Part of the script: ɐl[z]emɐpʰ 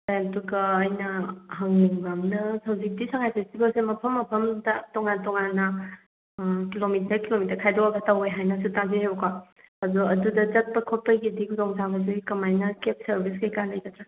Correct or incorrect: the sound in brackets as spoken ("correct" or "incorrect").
incorrect